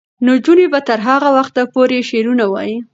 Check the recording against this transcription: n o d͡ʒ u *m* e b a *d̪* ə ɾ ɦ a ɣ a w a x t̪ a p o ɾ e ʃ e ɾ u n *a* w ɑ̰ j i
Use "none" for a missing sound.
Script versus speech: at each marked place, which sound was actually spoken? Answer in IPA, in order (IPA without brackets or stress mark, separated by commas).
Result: n, t̪, a